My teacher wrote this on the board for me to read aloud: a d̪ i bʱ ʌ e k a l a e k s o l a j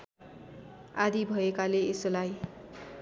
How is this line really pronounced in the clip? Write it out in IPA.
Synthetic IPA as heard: a d̪ i bʱ ʌ e k a l e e s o l a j